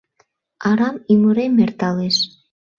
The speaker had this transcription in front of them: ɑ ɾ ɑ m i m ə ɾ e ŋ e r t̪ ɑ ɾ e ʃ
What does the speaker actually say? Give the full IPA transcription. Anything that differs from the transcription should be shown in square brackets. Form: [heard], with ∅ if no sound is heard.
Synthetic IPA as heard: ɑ ɾ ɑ m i m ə ɾ e [m] e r t̪ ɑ [l] e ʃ